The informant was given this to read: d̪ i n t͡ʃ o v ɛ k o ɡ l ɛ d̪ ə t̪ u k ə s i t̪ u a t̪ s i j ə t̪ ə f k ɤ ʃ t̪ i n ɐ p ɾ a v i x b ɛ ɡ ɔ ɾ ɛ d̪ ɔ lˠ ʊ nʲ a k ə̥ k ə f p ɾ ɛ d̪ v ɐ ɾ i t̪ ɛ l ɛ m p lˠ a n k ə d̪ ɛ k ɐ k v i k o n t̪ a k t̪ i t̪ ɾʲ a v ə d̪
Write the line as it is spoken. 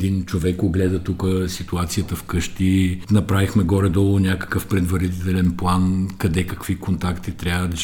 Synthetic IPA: d̪ i n t͡ʃ o v ɛ k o ɡ l ɛ d̪ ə t̪ u k ə s i t̪ u a t̪ s i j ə t̪ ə f k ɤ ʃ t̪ i n ɐ p ɾ a v i x m ɛ ɡ ɔ ɾ ɛ d̪ ɔ lˠ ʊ nʲ a k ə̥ k ə f p ɾ ɛ d̪ v ɐ ɾ i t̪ ɛ l ɛ n p lˠ a n k ɐ d̪ ɛ k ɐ k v i k o n t̪ a k t̪ i t̪ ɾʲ a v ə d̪